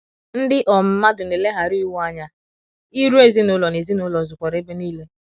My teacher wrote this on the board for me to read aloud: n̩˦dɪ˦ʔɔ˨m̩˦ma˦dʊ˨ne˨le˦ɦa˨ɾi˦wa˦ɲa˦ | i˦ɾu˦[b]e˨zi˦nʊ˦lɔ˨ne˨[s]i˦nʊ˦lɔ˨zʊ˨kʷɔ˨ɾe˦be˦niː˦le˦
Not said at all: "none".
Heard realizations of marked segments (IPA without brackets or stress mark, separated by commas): none, z